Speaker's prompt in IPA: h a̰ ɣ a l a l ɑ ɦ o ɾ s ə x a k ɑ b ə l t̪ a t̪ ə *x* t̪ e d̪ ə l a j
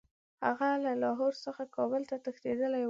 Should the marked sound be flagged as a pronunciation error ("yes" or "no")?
no